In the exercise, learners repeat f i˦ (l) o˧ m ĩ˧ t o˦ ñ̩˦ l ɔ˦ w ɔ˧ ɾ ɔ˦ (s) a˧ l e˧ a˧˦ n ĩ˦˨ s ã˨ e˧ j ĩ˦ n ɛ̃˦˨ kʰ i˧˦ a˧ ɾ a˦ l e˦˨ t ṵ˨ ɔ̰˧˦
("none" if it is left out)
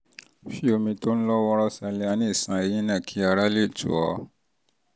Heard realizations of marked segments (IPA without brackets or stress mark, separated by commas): none, s